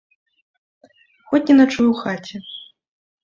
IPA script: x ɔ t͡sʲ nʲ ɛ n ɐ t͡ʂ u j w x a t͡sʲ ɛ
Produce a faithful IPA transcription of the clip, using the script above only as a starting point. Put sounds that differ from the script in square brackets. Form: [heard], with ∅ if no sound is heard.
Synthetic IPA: x ɔ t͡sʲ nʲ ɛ n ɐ t͡ʂ u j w x a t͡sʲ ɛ